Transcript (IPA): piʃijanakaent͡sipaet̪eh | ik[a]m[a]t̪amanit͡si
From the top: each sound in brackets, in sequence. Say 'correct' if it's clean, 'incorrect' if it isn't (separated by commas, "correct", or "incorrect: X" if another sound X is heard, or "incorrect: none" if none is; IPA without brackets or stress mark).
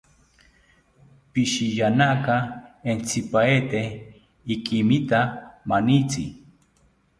incorrect: i, incorrect: i